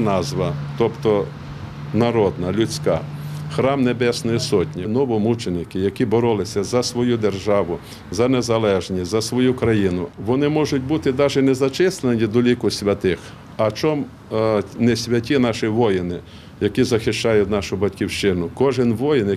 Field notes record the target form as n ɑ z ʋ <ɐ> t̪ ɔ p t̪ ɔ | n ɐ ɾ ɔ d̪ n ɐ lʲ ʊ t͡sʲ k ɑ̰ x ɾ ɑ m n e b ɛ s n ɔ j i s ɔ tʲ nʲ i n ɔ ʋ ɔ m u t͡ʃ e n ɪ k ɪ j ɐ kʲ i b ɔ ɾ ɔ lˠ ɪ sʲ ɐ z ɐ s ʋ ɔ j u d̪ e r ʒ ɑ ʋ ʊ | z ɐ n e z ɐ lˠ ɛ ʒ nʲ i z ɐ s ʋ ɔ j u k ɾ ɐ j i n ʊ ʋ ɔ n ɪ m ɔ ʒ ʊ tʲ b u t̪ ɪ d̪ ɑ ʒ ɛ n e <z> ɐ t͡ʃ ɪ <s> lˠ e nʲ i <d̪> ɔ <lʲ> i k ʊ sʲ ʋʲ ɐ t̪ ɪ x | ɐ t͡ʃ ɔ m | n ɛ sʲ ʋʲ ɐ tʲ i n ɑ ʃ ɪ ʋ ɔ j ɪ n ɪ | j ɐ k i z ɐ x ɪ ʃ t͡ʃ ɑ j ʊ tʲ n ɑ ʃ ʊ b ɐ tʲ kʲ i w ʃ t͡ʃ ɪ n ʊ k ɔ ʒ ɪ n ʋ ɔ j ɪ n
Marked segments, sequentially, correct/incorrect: correct, correct, correct, correct, correct

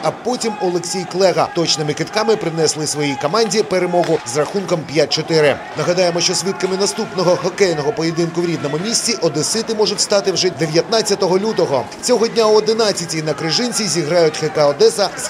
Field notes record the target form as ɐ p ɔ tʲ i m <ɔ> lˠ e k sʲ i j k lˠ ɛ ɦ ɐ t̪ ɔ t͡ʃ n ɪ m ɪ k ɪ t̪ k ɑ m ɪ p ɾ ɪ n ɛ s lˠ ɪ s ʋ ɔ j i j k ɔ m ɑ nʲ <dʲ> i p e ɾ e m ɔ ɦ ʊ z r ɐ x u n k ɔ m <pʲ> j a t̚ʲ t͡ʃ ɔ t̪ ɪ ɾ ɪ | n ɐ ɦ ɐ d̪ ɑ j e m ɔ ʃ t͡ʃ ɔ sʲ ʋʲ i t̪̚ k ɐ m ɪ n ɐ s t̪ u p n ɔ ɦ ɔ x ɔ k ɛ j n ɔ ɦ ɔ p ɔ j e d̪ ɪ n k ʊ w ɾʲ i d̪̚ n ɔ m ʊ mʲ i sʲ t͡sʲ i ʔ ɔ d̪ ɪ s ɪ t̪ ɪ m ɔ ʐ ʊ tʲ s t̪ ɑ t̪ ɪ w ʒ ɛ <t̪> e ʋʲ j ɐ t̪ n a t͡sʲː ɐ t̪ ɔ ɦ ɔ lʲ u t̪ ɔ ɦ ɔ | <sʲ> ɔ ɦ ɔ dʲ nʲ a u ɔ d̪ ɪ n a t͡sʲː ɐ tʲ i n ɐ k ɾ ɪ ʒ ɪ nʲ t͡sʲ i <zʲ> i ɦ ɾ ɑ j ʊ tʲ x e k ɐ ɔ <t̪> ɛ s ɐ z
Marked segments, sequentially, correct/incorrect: correct, correct, correct, incorrect, incorrect, correct, incorrect

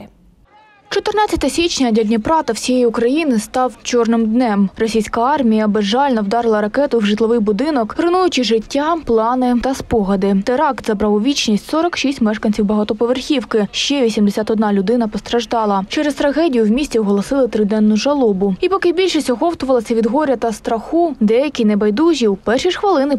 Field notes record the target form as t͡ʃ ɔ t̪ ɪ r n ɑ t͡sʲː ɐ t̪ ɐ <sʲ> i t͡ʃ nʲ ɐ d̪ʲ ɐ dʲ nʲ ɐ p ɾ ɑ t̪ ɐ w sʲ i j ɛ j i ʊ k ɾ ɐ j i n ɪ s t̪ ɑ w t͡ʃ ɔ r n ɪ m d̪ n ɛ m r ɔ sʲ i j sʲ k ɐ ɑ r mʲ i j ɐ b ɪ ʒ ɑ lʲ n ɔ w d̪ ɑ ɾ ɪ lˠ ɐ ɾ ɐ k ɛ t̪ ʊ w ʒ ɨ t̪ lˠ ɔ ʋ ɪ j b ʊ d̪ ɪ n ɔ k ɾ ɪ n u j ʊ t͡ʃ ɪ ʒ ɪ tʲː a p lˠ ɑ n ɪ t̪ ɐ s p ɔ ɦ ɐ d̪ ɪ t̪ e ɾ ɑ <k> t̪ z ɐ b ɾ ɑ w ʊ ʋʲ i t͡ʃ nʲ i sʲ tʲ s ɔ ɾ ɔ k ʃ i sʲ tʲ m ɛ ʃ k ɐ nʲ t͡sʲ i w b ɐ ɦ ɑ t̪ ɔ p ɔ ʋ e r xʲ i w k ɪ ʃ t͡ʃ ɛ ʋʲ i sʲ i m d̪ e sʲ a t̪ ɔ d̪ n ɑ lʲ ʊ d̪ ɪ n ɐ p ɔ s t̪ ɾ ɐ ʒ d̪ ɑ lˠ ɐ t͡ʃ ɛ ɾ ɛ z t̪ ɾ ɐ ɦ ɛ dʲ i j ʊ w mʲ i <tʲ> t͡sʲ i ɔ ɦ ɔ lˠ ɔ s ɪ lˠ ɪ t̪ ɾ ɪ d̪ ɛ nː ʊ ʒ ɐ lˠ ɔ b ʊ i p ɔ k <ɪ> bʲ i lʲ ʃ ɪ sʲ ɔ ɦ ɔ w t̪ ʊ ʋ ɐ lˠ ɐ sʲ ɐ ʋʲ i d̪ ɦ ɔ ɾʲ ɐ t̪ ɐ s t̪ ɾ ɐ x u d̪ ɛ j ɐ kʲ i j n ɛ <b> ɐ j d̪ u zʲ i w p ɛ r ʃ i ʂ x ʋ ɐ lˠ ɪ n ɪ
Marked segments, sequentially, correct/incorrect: correct, correct, incorrect, correct, correct

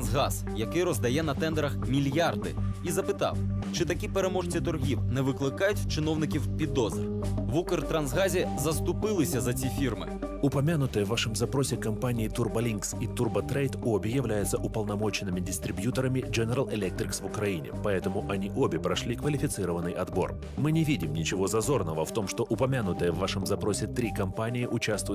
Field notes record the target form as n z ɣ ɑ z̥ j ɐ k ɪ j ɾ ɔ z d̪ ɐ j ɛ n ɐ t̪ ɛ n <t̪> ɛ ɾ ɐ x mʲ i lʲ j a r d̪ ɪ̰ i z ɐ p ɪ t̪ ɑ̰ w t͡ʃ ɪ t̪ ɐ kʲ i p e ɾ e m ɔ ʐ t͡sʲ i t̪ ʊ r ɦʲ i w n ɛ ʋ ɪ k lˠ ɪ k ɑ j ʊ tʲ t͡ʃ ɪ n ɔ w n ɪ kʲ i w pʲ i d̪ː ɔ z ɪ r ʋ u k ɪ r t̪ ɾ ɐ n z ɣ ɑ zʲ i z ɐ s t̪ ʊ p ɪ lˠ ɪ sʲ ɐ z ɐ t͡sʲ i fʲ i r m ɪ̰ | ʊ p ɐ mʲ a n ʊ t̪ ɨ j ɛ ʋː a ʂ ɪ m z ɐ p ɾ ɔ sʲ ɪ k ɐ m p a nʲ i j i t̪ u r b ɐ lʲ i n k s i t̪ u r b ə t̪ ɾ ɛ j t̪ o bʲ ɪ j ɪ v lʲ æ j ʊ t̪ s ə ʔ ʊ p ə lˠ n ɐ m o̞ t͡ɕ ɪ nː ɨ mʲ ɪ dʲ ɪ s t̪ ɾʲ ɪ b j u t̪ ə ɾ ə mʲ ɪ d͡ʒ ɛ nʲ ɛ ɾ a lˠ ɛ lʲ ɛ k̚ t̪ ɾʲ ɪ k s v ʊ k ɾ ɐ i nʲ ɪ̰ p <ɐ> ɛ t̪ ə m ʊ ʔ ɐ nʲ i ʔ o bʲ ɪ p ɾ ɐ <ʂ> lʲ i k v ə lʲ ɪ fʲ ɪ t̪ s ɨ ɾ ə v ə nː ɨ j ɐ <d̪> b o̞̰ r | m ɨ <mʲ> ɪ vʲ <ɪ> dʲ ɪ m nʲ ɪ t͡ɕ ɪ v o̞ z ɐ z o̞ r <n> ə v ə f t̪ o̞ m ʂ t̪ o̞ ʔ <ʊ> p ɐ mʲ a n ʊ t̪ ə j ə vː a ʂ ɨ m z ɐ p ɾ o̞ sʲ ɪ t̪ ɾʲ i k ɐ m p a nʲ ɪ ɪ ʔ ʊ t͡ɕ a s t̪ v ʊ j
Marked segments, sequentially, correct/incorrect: incorrect, correct, correct, correct, incorrect, incorrect, correct, correct

